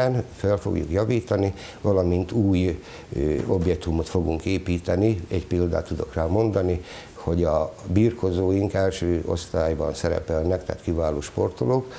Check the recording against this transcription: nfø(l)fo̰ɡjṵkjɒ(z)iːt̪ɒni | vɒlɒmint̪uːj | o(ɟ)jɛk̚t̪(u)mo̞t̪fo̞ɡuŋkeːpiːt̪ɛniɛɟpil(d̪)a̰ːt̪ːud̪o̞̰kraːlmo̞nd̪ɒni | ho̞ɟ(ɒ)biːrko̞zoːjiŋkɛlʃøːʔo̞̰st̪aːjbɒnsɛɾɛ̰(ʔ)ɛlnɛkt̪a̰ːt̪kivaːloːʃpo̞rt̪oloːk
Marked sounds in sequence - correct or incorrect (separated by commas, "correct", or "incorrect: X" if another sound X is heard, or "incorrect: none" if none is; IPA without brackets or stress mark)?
correct, incorrect: v, incorrect: b, correct, correct, correct, incorrect: p